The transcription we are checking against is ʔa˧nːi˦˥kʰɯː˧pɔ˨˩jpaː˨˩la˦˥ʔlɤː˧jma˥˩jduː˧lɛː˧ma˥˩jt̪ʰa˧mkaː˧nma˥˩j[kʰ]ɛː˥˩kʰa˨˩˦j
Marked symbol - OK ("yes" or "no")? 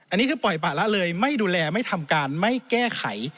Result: no